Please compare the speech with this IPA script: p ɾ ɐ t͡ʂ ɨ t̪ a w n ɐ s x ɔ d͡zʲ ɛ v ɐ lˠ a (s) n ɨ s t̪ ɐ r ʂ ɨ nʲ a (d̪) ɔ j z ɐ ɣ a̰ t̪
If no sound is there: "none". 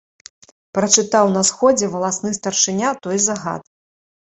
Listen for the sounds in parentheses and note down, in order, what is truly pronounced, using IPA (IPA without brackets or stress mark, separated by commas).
s, t̪